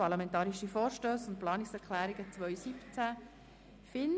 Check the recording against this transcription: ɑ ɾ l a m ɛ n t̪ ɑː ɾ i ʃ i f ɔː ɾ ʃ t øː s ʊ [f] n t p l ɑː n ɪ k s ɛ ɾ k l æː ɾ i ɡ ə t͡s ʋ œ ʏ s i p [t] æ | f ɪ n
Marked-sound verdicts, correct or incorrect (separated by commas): incorrect, incorrect